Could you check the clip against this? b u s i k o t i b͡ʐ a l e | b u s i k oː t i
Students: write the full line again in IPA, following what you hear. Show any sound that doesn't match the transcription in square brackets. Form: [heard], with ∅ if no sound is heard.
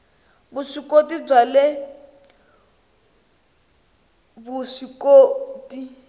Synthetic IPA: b u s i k o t i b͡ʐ a l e | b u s i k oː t i